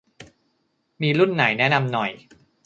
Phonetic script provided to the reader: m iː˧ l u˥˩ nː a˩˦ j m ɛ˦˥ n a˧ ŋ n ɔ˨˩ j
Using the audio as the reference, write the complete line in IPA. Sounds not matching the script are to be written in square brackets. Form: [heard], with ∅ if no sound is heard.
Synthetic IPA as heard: m iː˧ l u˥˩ nː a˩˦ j [n] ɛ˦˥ n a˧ [m] n ɔ˨˩ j